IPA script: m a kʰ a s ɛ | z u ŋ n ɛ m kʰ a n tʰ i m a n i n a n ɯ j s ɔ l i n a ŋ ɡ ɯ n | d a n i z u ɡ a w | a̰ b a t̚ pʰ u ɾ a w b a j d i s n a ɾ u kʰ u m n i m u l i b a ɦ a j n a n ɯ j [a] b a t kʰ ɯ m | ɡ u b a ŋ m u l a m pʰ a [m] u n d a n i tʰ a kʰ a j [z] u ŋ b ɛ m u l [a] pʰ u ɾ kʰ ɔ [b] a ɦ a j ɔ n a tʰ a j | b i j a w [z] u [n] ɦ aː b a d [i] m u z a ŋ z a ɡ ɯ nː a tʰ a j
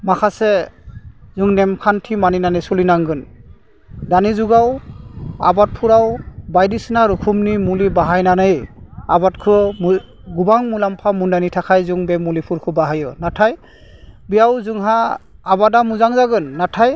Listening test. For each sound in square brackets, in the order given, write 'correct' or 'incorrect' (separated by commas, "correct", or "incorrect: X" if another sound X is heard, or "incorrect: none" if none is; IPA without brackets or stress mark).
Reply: correct, correct, correct, incorrect: i, correct, correct, incorrect: ŋ, incorrect: a